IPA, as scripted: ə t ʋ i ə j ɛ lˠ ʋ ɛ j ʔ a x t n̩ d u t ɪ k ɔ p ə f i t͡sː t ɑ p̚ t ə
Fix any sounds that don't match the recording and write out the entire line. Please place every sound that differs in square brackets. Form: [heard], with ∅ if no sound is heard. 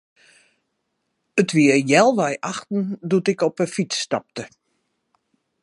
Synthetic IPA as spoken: ə t ʋ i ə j ɛ lˠ ʋ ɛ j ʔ a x t n̩ d u t ɪ k ɔ p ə f i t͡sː t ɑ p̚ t ə